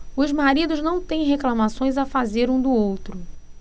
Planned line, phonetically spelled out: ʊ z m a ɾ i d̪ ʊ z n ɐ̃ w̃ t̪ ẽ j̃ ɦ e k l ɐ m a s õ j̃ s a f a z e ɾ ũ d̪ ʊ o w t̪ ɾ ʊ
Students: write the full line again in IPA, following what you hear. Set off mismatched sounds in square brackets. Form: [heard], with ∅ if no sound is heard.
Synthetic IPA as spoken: ʊ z m a ɾ i d̪ ʊ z n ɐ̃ w̃ t̪ ẽ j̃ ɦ e k l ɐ m a s õ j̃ [z] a f a z e ɾ ũ d̪ ʊ o w t̪ ɾ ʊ